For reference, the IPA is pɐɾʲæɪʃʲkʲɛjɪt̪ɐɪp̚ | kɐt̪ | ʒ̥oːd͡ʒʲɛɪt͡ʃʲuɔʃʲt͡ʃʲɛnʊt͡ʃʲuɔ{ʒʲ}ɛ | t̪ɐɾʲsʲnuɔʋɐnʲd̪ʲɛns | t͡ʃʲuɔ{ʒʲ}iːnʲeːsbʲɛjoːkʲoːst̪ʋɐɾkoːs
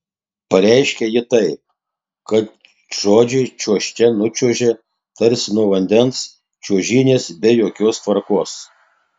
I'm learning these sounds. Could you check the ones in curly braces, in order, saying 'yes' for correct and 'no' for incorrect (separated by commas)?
yes, yes